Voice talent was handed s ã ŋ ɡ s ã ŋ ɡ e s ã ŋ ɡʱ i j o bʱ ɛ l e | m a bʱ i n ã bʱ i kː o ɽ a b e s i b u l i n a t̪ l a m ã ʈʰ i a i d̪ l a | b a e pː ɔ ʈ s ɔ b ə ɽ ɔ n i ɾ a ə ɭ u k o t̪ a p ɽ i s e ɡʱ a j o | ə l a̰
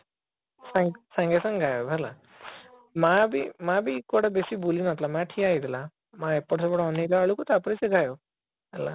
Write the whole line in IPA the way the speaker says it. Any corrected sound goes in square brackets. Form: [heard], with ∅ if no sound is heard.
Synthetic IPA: s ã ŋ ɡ s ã ŋ ɡ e s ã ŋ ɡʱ [a] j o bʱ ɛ l [a] | m a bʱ i [m] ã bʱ i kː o ɽ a b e s i b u l i n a t̪ l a m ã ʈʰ i a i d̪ l a | [m] a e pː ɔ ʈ s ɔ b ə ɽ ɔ n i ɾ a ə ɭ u k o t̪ a p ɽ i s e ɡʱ a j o | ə l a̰